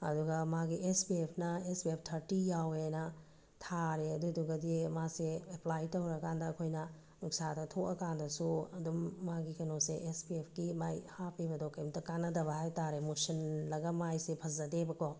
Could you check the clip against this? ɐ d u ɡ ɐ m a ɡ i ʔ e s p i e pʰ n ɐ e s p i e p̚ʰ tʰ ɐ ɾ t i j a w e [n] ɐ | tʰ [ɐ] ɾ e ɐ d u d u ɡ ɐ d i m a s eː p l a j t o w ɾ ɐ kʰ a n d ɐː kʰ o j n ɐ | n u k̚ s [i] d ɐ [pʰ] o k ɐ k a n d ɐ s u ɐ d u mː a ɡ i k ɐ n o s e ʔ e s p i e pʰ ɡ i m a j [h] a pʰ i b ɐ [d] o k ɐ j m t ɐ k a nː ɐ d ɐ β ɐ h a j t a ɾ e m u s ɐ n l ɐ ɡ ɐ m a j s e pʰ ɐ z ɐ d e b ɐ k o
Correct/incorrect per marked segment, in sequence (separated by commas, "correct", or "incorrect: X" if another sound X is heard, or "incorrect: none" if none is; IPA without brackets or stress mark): correct, incorrect: a, incorrect: a, incorrect: tʰ, correct, correct